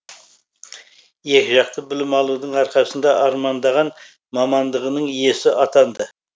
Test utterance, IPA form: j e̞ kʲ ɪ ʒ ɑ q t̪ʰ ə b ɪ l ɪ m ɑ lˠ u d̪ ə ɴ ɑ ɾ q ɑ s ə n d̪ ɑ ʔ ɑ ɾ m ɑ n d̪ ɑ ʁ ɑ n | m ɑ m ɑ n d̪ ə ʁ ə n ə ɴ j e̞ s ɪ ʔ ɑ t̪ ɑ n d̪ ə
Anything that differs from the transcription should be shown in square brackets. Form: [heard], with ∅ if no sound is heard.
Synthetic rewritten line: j e̞ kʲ ɪ ʒ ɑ q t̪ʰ ə b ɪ l ɪ m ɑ lˠ u d̪ ə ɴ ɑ ɾ q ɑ s ə n d̪ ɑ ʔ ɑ ɾ m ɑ n d̪ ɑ ʁ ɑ n | m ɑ m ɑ n d̪ ə ʁ ə n ə ɴ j e̞ s ɪ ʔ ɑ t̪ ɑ n d̪ ə